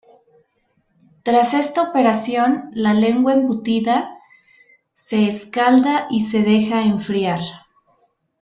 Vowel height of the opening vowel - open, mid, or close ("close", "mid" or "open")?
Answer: open